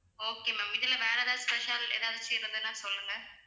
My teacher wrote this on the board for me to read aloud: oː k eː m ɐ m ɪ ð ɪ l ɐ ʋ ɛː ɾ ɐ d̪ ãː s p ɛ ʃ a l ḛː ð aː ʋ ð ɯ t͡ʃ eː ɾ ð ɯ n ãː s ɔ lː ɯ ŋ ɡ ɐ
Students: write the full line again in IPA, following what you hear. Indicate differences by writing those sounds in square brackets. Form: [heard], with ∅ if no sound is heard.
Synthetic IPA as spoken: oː k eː m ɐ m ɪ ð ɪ l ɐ ʋ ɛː ɾ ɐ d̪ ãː s p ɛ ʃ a l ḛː ð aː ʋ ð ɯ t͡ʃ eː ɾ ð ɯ n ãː s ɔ lː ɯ ŋ ɡ ɐ